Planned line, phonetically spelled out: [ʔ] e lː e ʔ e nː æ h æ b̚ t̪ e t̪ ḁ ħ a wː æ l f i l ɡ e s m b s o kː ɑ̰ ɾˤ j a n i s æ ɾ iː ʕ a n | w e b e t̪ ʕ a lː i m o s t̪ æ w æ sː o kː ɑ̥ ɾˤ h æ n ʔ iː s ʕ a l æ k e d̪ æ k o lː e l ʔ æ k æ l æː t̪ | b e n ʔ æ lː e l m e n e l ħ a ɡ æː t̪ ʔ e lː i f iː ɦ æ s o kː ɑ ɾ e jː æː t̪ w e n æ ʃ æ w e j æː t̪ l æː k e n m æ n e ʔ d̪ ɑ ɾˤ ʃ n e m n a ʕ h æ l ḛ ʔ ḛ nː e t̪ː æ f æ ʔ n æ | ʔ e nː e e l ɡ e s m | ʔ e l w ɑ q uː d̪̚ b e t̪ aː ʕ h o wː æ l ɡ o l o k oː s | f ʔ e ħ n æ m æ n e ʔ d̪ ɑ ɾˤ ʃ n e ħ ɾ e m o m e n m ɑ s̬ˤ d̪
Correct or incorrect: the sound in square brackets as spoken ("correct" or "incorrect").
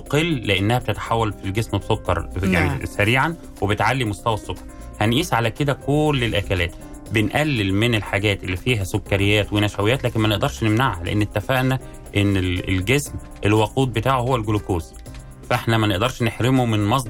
incorrect